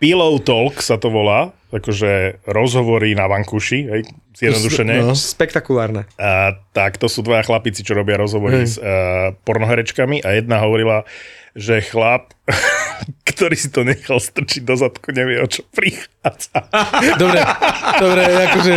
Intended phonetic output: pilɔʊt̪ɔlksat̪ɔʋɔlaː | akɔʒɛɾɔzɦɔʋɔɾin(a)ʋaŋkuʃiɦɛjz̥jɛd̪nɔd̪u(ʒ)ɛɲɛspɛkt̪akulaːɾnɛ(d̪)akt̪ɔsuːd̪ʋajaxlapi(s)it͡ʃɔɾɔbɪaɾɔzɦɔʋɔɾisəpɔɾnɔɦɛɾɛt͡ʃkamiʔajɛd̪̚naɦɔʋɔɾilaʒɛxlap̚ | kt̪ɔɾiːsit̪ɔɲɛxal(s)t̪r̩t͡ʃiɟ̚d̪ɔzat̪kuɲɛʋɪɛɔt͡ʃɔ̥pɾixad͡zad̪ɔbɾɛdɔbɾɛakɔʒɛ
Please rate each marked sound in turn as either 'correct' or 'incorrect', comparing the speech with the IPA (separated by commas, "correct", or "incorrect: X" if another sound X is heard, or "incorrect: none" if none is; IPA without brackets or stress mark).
correct, incorrect: ʃ, incorrect: t̪, incorrect: t͡s, correct